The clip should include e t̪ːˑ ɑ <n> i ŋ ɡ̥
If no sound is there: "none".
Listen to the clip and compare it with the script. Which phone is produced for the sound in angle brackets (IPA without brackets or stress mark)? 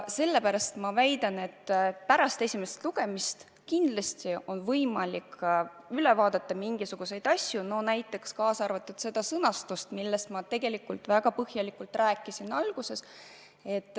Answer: m